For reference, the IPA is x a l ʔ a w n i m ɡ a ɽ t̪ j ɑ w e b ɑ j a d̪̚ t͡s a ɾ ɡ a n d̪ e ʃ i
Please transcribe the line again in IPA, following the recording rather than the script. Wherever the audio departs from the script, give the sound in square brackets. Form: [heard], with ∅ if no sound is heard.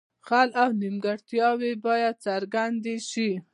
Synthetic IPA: x a l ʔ a w n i m ɡ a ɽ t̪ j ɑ w e b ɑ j a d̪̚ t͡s a ɾ ɡ a n d̪ e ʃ i